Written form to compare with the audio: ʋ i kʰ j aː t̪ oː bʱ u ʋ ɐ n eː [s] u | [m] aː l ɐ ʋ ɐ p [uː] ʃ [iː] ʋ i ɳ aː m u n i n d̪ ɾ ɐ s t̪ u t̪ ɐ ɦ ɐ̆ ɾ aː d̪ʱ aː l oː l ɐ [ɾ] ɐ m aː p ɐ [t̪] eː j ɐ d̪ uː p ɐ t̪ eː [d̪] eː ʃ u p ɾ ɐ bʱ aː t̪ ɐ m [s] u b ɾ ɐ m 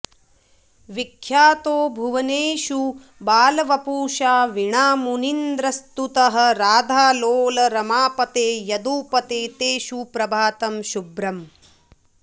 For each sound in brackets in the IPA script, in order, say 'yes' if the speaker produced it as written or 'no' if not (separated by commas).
no, no, yes, no, yes, yes, no, no